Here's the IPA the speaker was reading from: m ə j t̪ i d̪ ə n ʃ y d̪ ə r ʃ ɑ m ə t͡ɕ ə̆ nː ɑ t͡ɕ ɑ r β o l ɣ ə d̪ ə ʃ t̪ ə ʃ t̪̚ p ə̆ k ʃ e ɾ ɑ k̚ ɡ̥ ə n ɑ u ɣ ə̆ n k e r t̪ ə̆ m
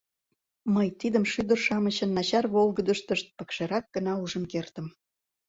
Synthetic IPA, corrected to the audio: m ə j t̪ i d̪ ə m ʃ y d̪ ə r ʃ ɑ m ə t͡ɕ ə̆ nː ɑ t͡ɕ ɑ r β o l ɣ ə d̪ ə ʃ t̪ ə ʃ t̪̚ p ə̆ k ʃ e ɾ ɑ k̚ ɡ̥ ə n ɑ u ʒ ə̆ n k e r t̪ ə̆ m